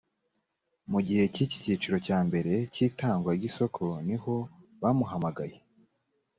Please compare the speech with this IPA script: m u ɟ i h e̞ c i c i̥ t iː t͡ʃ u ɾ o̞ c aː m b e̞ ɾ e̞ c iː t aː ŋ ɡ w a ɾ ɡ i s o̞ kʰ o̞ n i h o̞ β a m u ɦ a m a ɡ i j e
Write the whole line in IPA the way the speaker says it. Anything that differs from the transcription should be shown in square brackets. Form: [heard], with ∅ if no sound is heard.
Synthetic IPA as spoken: m u ɟ i h e̞ c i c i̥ [c] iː t͡ʃ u ɾ o̞ c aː m b e̞ ɾ e̞ c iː t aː ŋ ɡ w a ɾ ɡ i s o̞ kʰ o̞ n i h o̞ β a m u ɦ a m a ɡ [a] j e